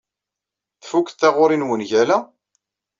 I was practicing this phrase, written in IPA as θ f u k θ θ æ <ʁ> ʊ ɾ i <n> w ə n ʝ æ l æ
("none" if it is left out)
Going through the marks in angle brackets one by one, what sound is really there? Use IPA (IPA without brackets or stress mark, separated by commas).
ʁ, n